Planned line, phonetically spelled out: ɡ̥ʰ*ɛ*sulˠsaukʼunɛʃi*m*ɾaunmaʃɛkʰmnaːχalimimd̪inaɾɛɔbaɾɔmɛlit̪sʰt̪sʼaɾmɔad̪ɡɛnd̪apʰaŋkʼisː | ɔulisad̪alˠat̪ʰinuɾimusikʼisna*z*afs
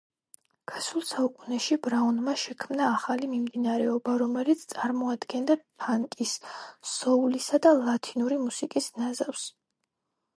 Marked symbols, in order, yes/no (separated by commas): no, no, yes